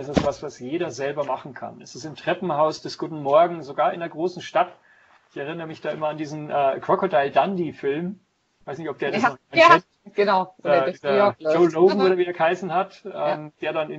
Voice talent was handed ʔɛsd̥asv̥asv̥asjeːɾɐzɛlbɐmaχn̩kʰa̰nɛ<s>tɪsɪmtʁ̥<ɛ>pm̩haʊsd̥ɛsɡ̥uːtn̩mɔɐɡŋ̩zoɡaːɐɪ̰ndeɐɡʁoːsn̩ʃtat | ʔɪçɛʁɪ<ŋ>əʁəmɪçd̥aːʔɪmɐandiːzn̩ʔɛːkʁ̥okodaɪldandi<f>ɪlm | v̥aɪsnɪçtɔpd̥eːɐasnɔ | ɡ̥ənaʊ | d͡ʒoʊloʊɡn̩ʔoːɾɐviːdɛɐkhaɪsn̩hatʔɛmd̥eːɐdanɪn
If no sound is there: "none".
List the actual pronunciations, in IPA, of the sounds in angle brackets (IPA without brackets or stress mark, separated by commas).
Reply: s, ɛ, n, f